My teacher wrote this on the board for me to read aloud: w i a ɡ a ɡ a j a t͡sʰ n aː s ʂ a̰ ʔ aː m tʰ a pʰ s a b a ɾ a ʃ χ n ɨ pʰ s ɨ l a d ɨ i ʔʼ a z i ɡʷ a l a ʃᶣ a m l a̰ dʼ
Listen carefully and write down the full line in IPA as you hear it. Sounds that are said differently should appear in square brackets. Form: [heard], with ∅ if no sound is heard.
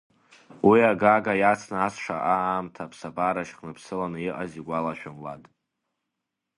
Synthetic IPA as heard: w i a ɡ a ɡ a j a t͡sʰ n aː s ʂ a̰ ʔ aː m tʰ a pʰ s a b a ɾ a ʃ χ n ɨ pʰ s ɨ l a [n] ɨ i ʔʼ a z i ɡʷ a l a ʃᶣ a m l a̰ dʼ

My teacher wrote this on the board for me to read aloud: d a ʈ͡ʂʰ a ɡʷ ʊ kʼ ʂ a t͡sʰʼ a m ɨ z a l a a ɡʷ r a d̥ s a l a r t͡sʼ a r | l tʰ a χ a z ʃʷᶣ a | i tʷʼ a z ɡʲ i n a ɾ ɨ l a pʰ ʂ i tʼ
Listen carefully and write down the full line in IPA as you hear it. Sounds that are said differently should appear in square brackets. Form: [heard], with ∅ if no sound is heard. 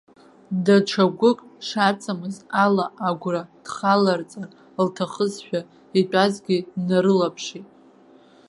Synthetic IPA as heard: d a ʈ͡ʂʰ a ɡʷ ʊ kʼ ʂ a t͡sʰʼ a m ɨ z a l a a ɡʷ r a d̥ [χ] a l a r t͡sʼ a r | l tʰ a χ [ə] z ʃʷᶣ a | i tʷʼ a z ɡʲ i n a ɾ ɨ l a pʰ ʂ i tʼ

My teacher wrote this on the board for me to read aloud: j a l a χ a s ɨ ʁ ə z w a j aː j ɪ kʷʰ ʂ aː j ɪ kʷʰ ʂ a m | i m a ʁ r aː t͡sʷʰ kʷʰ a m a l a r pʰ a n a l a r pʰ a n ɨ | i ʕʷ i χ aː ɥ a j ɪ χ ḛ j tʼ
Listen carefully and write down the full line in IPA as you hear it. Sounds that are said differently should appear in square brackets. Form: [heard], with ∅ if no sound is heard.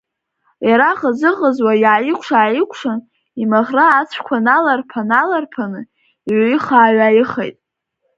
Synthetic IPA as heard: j a [ɾ] a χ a [z] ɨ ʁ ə z w a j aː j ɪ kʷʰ ʂ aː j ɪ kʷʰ ʂ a [n] | i m a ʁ r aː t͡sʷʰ kʷʰ a [n] a l a r pʰ a n a l a r pʰ a n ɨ | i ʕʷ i χ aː ɥ a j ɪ χ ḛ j tʼ

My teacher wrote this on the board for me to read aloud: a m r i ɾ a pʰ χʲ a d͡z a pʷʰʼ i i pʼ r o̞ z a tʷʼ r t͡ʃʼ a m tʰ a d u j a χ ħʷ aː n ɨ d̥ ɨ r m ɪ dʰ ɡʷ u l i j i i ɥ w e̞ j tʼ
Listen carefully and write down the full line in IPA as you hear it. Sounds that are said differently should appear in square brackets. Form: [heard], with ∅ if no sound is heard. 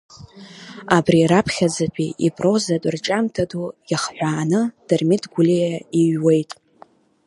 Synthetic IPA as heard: a [b] r i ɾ a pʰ χʲ a d͡z a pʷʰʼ i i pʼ r o̞ z a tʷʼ r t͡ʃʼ a m tʰ a d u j a χ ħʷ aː n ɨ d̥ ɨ r m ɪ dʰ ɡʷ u l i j [a] i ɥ w e̞ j tʼ

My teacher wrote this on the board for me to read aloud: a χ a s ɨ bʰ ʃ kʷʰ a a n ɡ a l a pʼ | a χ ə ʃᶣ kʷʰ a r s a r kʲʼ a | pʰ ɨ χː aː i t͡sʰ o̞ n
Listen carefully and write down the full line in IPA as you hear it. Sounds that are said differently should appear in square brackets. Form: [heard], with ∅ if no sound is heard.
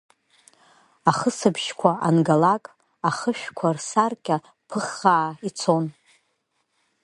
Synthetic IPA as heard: a χ [ə] s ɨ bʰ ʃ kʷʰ a a n ɡ a l a [kʼ] | a χ ə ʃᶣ kʷʰ a r s a r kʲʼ a | pʰ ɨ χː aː i t͡sʰ o̞ n

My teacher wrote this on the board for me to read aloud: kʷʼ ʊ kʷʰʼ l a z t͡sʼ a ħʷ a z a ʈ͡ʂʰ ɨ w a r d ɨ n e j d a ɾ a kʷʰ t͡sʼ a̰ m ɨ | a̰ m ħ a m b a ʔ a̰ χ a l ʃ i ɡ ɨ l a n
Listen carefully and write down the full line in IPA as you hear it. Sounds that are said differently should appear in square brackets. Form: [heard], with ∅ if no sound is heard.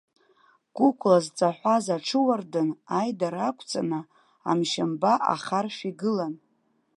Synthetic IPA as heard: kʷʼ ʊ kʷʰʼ l a z t͡sʼ a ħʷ a z a ʈ͡ʂʰ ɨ w a r d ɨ n [a] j d a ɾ a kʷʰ t͡sʼ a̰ [n] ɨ | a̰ m [ʃ] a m b a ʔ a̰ χ a [r] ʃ i ɡ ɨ l a n

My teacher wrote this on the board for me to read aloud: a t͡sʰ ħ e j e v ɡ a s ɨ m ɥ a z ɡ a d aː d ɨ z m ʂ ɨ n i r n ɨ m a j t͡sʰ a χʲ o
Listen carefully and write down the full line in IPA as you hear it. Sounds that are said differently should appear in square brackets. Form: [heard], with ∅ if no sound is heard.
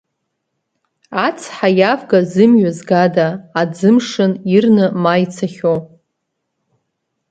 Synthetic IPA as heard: a t͡sʰ ħ [a] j [a] v ɡ a [z] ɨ m ɥ a z ɡ a d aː [d͡z] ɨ [∅] m ʂ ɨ n i r n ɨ m a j t͡sʰ a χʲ o

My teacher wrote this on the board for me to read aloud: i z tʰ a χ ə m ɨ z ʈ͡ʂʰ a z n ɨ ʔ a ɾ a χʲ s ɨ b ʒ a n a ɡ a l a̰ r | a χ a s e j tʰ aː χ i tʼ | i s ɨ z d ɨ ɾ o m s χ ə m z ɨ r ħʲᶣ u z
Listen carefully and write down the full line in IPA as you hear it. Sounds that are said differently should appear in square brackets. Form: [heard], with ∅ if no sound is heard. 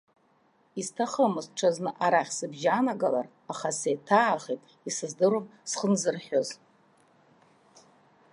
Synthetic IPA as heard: i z tʰ a χ ə m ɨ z ʈ͡ʂʰ a z n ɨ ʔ a ɾ a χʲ s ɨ b ʒ a n a ɡ a l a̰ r | a χ a s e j tʰ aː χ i tʼ | i s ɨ z d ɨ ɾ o m s χ ə [n] z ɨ r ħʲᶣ [o] z

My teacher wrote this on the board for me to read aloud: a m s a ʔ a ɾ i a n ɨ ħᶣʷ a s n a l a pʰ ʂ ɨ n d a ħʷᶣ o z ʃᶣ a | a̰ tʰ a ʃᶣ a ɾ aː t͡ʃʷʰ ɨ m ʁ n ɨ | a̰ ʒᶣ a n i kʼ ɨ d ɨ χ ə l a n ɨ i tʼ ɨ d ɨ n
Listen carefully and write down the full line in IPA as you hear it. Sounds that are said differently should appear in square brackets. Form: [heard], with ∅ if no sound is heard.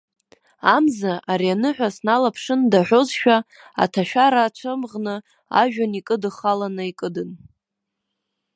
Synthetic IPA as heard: a m [z] a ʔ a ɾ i a n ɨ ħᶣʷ a s n a l a pʰ ʂ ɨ n d a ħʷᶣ o z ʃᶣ a | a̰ tʰ a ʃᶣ a ɾ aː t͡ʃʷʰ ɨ m ʁ n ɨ | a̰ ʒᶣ a n i kʼ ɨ d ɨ χ [a] l a n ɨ i [kʼ] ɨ d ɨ n

